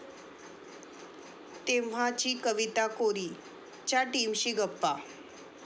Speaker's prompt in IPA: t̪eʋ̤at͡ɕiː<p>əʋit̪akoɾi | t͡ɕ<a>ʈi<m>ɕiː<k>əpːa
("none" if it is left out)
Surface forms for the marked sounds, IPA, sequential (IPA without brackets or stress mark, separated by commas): k, a, m, ɡ